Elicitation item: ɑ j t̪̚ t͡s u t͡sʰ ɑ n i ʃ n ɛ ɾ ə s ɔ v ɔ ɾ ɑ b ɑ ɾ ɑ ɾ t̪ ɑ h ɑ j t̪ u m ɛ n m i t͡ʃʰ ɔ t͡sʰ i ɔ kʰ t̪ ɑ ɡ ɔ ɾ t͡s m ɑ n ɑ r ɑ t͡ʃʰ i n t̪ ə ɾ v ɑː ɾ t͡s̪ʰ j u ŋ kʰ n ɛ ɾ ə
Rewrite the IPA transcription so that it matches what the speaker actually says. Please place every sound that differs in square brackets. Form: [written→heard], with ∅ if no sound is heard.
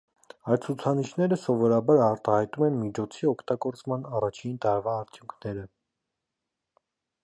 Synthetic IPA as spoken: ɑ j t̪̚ [t͡s→t͡sʰ] u t͡sʰ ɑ n i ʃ n ɛ ɾ ə s ɔ v ɔ ɾ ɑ b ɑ ɾ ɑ ɾ t̪ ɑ h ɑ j t̪ u m ɛ n m i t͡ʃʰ ɔ t͡sʰ i ɔ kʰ t̪ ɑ ɡ ɔ ɾ t͡s m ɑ n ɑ r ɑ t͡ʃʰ i n t̪ [ə→ɑ] ɾ v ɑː ɾ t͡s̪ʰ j u ŋ kʰ n ɛ ɾ ə